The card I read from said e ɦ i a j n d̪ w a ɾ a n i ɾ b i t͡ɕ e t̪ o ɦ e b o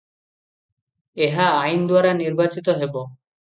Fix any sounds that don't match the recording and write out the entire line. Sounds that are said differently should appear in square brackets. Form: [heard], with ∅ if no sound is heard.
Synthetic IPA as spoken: e ɦ [a] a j n d̪ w a ɾ a n i ɾ b [a] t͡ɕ [i] t̪ o ɦ e b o